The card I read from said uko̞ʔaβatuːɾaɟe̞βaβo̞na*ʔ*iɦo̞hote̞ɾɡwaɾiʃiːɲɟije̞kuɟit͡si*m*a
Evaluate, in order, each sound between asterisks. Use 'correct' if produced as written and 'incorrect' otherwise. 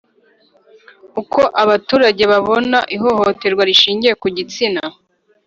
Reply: correct, incorrect

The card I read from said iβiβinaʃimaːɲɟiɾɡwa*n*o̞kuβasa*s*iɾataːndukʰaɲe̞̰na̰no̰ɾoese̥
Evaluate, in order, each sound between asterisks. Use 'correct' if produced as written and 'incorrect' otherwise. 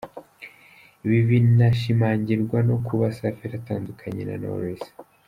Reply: correct, incorrect

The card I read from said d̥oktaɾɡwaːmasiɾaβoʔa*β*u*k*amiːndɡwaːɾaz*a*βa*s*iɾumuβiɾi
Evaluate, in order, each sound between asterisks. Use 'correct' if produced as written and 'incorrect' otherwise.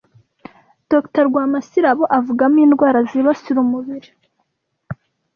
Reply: incorrect, incorrect, incorrect, correct

